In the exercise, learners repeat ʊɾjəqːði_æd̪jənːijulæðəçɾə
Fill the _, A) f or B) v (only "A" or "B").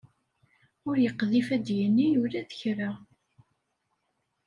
A